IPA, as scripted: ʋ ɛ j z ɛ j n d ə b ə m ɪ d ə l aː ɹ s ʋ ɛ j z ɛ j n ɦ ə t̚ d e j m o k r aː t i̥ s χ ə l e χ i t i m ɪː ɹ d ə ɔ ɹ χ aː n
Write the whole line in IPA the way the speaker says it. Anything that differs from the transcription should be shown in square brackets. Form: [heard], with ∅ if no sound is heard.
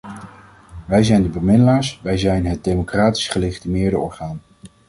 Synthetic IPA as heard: ʋ ɛ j z ɛ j n d ə b ə m ɪ d ə l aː ɹ s ʋ ɛ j z ɛ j n ɦ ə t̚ d e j m o k r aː t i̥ s χ ə l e χ i t i m ɪː ɹ d ə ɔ ɹ χ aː n

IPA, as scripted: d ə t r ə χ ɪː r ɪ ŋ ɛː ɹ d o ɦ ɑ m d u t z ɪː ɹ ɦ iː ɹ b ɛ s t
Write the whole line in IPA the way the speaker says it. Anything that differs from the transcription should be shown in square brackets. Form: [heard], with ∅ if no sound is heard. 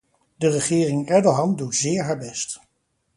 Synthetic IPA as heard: d ə [∅] r ə χ ɪː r ɪ ŋ [ɛ] ɹ d o ɦ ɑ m d u t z ɪː ɹ ɦ [aː] ɹ b ɛ s t

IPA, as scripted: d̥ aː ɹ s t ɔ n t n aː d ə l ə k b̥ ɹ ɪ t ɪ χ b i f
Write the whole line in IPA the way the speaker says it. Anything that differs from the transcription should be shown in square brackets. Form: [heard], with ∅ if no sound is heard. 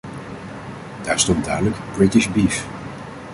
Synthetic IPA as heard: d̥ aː ɹ s t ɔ n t [d] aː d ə l ə k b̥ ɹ ɪ t ɪ [ʃ] b i f

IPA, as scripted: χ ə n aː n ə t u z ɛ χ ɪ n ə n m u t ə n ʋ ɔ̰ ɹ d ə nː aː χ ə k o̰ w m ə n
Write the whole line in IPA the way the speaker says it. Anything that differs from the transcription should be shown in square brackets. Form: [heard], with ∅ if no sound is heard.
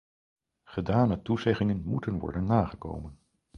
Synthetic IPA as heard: χ ə [d] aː n ə t u z ɛ χ ɪ [ŋ] ə n m u t ə n ʋ ɔ̰ ɹ d ə nː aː χ ə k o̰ w m ə n

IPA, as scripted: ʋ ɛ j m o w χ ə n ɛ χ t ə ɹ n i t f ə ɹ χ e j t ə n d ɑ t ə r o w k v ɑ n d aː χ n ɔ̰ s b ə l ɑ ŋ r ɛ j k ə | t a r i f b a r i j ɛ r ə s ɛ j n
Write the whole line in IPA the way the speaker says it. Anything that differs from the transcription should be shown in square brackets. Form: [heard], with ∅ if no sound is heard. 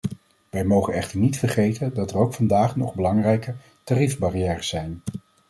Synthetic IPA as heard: ʋ ɛ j m o w χ ə n ɛ χ t ə ɹ n i t f ə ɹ χ e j t ə n d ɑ t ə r o w k [f] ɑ n d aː χ n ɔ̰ [χ] b ə l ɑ ŋ r ɛ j k ə | t a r i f b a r i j [ɛː] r ə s ɛ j n

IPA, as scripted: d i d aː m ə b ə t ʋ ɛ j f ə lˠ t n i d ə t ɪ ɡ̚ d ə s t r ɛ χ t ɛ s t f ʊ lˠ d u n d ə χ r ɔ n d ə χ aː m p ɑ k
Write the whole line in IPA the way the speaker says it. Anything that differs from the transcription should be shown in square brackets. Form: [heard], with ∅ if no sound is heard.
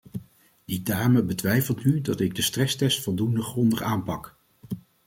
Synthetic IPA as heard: d i d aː m ə b ə t ʋ ɛ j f ə lˠ t n [y] d [ɑ] t ɪ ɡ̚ d ə s t r ɛ [s] t ɛ s t f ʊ lˠ d u n d ə χ r ɔ n d ə χ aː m p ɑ k

